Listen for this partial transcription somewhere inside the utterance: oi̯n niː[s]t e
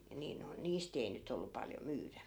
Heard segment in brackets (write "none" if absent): s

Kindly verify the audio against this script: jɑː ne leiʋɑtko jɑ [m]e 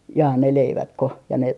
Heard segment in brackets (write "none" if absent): n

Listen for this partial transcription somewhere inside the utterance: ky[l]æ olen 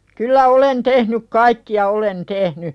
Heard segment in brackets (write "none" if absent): lː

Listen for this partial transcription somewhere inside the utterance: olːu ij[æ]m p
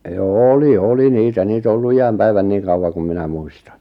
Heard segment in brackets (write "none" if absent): æ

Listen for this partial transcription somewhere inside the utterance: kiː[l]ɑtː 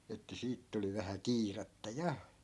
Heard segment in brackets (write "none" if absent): r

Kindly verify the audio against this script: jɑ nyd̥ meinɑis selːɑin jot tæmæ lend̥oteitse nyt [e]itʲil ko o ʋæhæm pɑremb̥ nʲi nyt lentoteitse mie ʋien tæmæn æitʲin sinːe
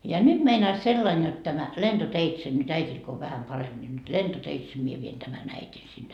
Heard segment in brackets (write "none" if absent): æ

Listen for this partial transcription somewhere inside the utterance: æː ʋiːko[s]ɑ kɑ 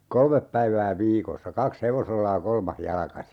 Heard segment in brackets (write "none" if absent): sː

